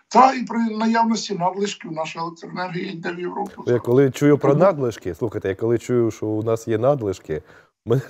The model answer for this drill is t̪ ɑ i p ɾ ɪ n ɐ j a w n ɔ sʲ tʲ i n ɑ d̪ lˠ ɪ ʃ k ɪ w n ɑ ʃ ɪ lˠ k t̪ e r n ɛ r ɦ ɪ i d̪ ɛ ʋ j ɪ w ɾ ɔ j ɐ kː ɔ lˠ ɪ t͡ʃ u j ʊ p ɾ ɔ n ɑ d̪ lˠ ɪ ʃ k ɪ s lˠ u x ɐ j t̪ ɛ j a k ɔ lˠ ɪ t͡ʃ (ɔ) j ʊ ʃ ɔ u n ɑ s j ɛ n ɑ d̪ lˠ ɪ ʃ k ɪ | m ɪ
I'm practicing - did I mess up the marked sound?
yes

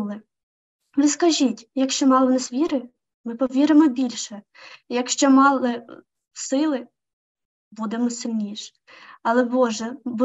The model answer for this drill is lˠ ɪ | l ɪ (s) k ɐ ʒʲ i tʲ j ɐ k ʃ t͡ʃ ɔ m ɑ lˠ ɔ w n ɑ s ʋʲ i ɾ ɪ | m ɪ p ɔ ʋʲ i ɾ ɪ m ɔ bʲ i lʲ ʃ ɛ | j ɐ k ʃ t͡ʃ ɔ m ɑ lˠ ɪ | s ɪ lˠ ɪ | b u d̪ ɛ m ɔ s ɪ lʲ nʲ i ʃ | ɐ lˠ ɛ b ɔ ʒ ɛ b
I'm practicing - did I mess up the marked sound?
no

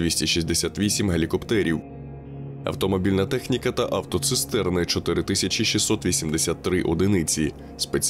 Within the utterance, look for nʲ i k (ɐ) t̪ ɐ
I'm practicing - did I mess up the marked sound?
no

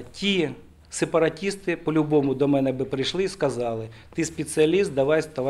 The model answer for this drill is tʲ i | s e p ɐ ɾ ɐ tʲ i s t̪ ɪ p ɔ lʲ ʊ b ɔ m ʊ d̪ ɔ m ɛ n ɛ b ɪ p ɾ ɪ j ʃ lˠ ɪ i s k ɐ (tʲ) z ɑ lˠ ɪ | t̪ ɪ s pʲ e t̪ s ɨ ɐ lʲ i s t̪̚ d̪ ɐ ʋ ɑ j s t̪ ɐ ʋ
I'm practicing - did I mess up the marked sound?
yes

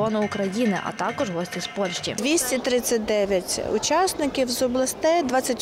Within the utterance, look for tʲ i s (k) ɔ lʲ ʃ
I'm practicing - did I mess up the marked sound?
yes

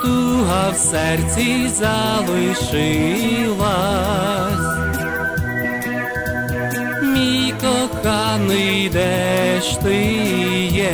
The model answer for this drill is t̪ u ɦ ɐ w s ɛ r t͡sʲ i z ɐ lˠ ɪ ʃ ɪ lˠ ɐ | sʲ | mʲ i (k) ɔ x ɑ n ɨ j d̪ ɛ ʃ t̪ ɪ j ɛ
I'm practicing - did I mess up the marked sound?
no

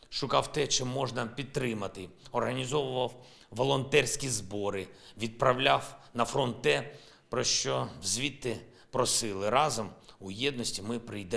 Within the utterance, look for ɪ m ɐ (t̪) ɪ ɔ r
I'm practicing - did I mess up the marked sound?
no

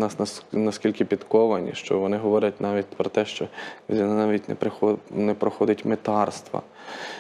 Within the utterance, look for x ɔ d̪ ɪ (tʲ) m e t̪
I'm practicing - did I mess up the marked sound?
no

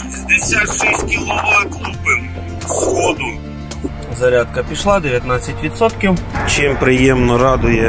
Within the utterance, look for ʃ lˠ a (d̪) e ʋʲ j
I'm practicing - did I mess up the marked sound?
no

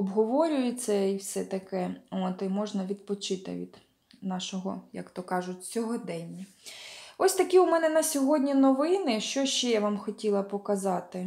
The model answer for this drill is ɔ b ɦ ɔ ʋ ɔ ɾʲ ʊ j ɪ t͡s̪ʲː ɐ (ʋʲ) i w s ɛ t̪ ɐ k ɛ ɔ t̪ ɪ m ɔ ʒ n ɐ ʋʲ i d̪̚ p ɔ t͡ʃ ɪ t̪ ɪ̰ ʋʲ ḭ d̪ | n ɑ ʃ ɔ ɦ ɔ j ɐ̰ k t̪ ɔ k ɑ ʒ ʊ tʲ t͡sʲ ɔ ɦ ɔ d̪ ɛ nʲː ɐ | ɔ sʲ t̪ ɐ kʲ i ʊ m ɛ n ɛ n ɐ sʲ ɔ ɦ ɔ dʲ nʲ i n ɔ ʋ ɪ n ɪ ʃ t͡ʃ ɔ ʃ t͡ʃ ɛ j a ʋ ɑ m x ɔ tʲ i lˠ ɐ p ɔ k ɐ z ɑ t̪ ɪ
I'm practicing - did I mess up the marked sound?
yes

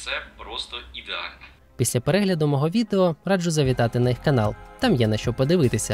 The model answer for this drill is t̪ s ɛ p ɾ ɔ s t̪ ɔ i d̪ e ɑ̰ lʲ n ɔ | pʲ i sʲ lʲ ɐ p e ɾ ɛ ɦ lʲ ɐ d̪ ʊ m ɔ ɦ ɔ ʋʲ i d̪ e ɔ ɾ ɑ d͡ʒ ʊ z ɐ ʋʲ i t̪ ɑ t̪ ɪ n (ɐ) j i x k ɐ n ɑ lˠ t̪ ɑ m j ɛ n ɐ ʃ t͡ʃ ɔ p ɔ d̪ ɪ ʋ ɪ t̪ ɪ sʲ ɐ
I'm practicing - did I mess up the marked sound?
no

